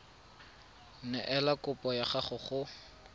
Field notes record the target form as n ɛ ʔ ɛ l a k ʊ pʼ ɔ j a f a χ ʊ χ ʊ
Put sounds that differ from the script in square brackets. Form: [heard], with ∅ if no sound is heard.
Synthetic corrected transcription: n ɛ ʔ ɛ l a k ʊ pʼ ɔ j a [χ] a χ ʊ χ ʊ